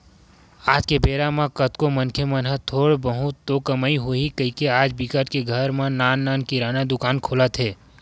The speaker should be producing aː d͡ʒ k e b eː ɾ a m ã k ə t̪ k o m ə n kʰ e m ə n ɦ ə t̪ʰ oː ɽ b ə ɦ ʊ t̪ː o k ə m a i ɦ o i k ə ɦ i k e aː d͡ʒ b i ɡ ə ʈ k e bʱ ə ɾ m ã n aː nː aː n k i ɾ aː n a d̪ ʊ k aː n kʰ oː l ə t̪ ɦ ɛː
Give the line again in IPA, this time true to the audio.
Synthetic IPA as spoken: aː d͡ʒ k e b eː ɾ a m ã k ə t̪ k o m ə n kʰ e m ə n ɦ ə t̪ʰ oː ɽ b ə ɦ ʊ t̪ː o k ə m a i ɦ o i k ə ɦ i k e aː d͡ʒ b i k ə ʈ k e ɡʱ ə ɾ m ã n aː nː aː n k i ɾ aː n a d̪ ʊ k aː n kʰ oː l ə t̪ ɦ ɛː